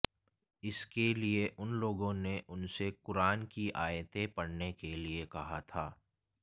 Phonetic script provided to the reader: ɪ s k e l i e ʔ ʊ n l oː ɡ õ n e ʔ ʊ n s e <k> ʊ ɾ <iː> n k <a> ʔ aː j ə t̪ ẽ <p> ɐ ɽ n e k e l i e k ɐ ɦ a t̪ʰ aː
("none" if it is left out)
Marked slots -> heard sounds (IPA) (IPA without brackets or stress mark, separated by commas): k, aː, i, p